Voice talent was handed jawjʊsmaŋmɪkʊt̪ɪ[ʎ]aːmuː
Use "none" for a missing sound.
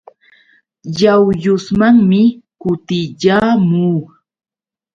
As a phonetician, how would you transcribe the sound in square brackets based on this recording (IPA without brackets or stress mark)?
ʎ